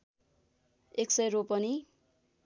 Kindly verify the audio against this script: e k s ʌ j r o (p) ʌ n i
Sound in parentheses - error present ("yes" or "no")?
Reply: no